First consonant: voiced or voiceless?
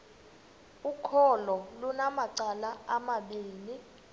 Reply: voiceless